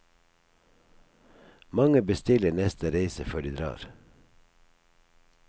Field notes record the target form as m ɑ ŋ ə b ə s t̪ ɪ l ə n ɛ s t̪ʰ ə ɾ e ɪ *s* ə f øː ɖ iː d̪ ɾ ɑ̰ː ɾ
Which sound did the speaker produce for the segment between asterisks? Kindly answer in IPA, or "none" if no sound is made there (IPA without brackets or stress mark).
s